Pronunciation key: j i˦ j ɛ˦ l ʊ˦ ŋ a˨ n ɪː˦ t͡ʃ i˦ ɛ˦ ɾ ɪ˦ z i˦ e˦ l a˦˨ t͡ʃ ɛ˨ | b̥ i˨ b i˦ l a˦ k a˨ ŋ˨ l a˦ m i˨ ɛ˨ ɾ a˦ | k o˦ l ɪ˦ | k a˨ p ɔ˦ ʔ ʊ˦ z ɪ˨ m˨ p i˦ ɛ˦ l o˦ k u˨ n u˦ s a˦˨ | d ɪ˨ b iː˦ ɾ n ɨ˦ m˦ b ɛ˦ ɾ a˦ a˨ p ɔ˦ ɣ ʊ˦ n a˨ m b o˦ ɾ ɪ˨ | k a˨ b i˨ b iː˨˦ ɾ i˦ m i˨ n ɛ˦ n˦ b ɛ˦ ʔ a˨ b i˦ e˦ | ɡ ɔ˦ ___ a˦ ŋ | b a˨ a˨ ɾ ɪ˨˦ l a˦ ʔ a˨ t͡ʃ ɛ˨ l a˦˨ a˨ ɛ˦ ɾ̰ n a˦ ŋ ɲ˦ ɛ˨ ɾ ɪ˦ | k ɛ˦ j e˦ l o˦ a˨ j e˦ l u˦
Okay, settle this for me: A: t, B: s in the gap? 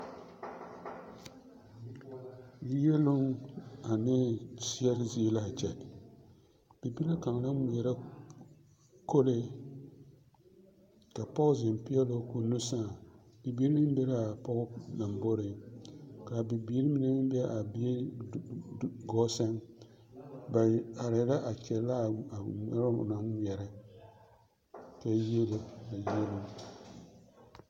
B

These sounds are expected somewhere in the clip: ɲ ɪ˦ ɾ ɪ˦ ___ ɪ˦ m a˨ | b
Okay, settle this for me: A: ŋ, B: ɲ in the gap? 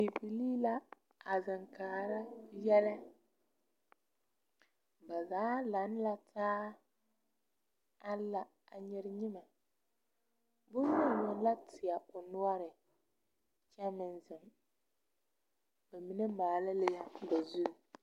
B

